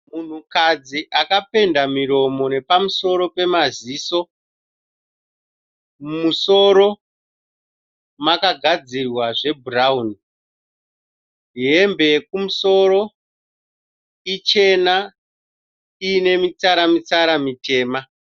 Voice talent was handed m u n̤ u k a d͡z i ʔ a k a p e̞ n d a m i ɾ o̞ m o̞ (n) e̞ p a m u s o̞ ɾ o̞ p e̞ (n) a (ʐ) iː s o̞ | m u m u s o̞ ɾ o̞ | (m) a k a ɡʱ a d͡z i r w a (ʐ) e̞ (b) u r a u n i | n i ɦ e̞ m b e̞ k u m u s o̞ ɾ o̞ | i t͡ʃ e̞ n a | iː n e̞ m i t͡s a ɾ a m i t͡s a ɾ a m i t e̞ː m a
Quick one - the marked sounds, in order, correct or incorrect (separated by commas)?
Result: correct, incorrect, incorrect, correct, correct, correct